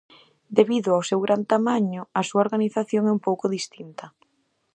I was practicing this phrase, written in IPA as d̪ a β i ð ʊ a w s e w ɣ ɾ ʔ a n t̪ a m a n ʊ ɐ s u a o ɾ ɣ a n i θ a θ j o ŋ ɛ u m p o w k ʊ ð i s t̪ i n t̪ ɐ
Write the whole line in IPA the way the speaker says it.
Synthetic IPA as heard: d̪ e β i ð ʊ a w s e w ɣ ɾ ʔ a n t̪ a m a ɲ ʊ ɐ s u a o ɾ ɣ a n i θ a θ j o ŋ ɛ u m p o w k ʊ ð i s t̪ i n t̪ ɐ